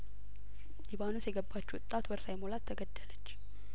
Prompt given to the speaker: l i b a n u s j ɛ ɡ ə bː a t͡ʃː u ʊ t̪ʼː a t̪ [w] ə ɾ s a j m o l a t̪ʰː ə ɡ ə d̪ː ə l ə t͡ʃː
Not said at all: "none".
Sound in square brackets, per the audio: w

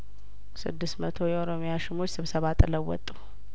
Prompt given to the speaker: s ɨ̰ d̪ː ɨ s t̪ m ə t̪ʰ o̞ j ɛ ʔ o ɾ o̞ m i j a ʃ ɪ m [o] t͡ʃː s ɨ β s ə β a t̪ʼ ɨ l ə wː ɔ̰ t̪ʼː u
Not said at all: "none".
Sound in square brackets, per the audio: o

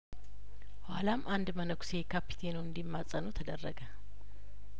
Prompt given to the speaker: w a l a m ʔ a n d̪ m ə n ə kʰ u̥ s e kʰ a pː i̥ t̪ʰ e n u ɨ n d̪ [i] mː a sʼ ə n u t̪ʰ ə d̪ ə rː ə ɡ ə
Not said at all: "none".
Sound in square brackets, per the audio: i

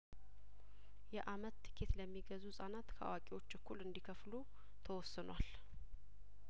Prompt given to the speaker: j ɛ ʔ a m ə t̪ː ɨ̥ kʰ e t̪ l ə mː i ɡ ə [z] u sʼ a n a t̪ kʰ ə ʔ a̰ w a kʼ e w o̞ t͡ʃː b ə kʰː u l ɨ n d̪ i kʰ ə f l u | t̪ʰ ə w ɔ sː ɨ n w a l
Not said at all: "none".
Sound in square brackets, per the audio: z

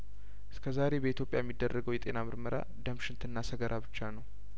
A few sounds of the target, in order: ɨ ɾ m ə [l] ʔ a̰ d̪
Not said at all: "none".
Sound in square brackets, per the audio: ɾ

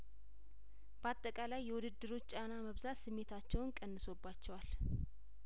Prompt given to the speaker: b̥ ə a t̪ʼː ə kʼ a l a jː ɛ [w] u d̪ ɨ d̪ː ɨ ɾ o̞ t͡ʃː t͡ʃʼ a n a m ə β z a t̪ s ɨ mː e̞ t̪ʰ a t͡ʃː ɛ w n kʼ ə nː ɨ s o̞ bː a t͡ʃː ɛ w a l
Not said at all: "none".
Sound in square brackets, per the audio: w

